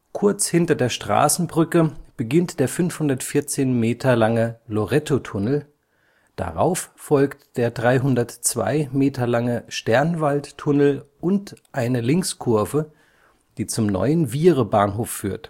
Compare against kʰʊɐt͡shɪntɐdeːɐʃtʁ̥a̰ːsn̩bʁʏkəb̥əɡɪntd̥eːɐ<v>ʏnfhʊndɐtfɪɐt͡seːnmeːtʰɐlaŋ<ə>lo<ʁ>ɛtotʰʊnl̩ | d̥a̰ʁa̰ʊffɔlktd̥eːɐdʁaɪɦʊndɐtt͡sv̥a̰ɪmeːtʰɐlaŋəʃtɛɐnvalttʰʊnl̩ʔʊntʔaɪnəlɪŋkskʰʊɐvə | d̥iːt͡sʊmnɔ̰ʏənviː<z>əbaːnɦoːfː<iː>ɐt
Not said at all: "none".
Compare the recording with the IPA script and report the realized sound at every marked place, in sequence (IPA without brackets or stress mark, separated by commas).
f, ə, ʁ, ʁ, yː